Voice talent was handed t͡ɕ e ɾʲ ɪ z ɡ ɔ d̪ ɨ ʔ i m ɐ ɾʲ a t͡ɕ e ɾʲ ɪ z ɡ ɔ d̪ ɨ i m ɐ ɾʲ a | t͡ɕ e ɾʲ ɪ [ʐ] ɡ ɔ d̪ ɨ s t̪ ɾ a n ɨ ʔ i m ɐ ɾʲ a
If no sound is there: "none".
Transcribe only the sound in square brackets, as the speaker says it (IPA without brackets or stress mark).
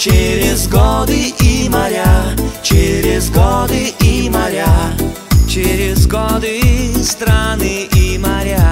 z